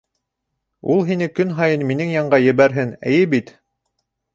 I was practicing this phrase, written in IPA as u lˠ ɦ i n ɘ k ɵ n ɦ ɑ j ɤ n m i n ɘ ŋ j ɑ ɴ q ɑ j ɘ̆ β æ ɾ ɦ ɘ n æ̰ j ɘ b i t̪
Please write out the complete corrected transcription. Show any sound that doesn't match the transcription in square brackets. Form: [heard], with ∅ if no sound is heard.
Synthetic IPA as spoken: u lˠ ɦ i n ɘ k ɵ n ɦ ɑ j ɤ n m i n ɘ ŋ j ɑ ɴ [ɢ] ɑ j ɘ̆ β æ ɾ ɦ ɘ n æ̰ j ɘ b i t̪